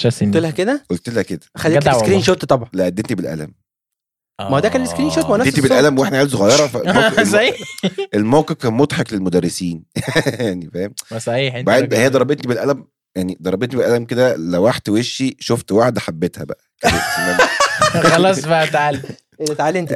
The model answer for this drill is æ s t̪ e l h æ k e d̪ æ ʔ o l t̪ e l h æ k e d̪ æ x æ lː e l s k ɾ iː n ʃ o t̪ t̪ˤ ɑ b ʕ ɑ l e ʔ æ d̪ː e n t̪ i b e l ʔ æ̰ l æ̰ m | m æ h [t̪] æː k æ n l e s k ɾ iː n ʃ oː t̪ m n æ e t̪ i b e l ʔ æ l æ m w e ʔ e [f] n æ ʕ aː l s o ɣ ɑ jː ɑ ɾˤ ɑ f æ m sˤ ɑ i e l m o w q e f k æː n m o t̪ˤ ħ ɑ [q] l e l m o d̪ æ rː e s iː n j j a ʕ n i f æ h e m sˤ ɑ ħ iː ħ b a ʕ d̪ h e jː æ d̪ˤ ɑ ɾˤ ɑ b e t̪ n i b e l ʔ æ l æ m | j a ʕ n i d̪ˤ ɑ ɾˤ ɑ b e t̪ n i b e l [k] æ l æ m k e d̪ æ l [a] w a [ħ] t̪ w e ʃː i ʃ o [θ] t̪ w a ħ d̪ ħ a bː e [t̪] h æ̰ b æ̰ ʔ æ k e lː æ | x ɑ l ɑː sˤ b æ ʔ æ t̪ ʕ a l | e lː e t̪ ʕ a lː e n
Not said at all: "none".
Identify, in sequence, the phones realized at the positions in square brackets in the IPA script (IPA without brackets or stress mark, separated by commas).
d̪, ħ, k, ʔ, æ, ħ, f, t̪